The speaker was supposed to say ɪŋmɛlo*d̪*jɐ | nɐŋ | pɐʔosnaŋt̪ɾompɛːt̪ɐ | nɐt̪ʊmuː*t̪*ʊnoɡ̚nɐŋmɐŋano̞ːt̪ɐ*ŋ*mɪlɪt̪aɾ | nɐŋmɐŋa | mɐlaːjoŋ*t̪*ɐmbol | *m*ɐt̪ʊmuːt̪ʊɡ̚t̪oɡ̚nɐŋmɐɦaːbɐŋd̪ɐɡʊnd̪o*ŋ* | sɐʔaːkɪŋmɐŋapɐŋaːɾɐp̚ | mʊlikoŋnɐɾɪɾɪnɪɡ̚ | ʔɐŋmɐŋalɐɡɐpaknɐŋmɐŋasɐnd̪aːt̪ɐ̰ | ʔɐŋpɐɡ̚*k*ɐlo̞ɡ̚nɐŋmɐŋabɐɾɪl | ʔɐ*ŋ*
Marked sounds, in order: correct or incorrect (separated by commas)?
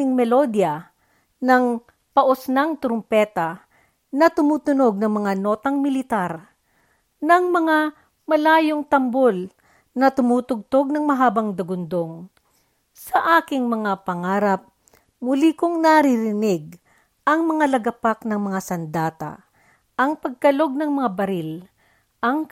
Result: correct, correct, correct, correct, incorrect, correct, correct, correct